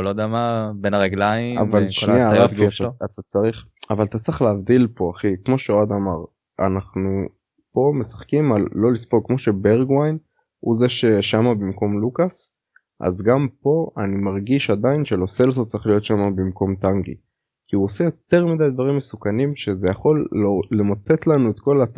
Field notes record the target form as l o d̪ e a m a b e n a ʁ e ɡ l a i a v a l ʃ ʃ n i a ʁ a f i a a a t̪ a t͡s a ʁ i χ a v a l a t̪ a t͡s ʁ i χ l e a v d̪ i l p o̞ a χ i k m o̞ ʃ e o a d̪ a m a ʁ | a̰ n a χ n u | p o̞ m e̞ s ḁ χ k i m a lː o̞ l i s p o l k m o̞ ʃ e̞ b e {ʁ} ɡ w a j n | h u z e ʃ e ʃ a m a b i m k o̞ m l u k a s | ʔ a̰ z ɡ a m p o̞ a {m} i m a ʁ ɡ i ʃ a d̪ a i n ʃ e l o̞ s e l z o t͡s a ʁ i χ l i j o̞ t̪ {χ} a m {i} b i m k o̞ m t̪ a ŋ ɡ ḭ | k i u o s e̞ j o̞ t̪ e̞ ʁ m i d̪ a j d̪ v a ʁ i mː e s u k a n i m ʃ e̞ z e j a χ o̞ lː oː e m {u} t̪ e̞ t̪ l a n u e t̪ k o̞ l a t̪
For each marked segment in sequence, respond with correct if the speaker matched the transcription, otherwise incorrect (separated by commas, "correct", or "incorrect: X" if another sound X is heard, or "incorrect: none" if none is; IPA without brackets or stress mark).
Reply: correct, incorrect: n, incorrect: ʃ, incorrect: a, incorrect: o